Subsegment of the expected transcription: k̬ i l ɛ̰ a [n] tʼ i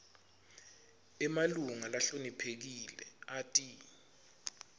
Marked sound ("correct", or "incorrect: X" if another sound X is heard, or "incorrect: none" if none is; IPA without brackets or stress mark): incorrect: none